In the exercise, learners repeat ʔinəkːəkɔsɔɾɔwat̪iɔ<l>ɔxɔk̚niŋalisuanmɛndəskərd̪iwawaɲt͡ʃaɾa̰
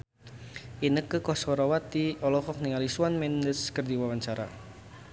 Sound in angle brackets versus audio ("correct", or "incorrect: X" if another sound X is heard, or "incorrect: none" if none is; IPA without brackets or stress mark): correct